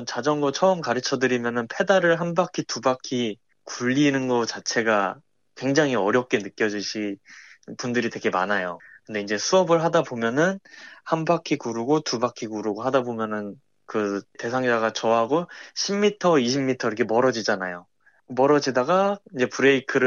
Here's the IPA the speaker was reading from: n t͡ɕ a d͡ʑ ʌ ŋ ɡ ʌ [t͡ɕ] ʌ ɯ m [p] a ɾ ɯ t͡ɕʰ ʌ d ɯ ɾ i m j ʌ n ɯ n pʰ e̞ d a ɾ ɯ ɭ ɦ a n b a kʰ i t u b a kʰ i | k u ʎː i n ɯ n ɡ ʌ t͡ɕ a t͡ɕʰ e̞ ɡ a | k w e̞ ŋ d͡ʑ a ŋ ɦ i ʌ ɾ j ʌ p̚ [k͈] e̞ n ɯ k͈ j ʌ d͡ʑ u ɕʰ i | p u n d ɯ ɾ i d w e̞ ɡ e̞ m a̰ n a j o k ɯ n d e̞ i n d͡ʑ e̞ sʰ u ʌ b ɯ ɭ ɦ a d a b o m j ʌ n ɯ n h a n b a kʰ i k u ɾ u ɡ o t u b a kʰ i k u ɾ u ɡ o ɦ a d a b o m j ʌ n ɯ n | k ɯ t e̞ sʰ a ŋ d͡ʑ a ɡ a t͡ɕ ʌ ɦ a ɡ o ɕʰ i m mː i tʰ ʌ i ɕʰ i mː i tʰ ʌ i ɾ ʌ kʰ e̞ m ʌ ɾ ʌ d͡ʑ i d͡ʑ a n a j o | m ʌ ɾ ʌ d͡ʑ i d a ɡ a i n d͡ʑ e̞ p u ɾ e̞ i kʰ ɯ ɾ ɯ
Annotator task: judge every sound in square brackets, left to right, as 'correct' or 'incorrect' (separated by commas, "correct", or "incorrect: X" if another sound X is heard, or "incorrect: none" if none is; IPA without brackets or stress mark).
incorrect: t͡ɕʰ, incorrect: k, correct